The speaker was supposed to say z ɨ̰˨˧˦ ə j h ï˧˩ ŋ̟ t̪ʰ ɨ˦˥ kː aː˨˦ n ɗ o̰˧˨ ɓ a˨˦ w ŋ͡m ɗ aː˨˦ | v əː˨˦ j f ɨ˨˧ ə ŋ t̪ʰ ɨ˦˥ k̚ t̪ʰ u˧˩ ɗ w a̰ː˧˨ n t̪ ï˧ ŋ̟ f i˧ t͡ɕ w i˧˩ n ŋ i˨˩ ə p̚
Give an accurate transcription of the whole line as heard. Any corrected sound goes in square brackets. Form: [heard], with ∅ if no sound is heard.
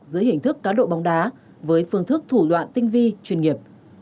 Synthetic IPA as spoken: z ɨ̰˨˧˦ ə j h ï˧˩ ŋ̟ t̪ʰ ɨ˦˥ kː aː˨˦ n ɗ o̰˧˨ ɓ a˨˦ w ŋ͡m ɗ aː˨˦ | v əː˨˦ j f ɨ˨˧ ə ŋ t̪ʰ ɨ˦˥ k̚ t̪ʰ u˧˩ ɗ w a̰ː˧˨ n t̪ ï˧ ŋ̟ [v] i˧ t͡ɕ w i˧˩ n ŋ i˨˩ ə p̚